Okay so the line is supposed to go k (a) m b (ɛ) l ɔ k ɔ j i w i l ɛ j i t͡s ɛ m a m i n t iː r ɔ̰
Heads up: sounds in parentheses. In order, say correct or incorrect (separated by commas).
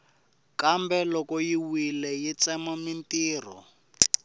correct, correct